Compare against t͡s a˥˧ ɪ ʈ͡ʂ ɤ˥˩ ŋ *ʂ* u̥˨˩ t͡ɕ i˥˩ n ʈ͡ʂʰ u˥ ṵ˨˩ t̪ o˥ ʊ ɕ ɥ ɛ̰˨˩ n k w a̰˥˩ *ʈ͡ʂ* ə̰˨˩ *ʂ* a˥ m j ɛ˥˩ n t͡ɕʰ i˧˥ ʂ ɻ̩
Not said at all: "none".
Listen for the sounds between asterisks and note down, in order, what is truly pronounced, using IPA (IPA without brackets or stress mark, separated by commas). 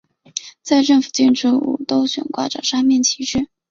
f, ʈ͡ʂ, ʂ